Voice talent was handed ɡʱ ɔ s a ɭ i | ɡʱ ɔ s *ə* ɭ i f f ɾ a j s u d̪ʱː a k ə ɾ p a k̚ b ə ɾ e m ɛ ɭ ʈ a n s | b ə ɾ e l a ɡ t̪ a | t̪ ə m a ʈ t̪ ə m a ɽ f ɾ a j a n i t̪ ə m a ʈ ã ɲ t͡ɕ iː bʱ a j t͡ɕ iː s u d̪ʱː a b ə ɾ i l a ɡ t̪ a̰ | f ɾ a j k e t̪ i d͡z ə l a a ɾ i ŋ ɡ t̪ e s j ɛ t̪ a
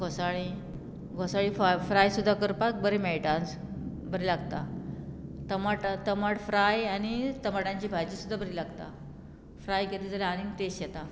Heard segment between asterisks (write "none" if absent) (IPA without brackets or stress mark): a